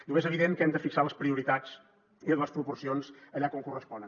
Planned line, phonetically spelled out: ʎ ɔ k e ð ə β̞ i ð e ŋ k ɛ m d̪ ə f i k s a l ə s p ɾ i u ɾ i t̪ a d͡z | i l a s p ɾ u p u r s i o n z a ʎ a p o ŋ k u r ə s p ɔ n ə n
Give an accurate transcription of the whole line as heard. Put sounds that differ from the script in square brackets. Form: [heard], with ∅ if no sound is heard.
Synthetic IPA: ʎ [u] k e [z] ə β̞ i ð e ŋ k ɛ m d̪ ə f i k s a l ə s p ɾ i u ɾ i t̪ a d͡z | i l [ə] s p ɾ u p u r s i o n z [ə] ʎ a [k] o ŋ k u r ə s p ɔ n ə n